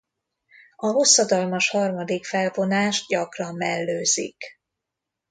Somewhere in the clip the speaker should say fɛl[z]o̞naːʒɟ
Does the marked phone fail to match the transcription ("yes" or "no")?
yes